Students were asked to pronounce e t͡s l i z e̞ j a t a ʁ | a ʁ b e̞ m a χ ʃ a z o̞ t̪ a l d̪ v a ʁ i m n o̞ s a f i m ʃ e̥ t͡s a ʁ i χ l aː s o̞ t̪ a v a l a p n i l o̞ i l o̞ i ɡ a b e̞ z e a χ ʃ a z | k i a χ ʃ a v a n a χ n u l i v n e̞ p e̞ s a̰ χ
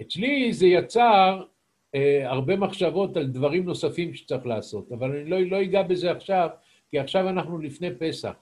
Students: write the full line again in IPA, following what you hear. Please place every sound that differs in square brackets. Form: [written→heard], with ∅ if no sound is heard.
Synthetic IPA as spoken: e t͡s l i z e̞ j a [t→t͡s] a ʁ | a ʁ b e̞ m a χ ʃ a [z→v] o̞ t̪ a l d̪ v a ʁ i m n o̞ s a f i m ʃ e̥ t͡s a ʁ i χ l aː s o̞ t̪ a v a l a [p→∅] n i l o̞ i l o̞ i ɡ a b e̞ z e a χ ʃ a [z→v] | k i a χ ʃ a v a n a χ n u l i [v→f] n e̞ p e̞ s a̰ χ